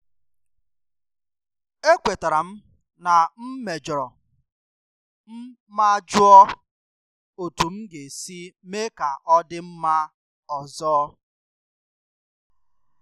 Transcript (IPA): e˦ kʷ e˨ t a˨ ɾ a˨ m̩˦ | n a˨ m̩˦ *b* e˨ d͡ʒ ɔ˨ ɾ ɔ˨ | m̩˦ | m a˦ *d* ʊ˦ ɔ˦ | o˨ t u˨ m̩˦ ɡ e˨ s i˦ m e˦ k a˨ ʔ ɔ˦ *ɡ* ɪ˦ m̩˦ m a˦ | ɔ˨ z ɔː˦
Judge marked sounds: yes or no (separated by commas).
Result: no, no, no